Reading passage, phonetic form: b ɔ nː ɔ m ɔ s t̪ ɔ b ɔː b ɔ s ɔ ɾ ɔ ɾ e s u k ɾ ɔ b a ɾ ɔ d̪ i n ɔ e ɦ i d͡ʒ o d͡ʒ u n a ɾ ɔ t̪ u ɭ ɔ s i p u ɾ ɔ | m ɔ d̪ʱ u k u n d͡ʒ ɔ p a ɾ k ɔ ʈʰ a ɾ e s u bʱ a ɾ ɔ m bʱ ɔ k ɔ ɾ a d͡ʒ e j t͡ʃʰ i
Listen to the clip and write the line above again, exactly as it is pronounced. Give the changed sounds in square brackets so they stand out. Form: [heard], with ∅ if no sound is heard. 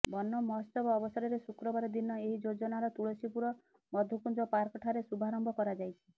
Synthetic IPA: b ɔ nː ɔ m ɔ s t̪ ɔ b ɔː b ɔ s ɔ ɾ ɔ ɾ e s u k ɾ ɔ b a ɾ ɔ d̪ i n ɔ e ɦ i d͡ʒ o d͡ʒ [ɔ] n a ɾ ɔ t̪ u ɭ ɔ s i p u ɾ ɔ | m ɔ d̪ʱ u k u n d͡ʒ ɔ p a ɾ k ɔ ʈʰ a ɾ e s u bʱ a ɾ ɔ m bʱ ɔ k ɔ ɾ a d͡ʒ [a] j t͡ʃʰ i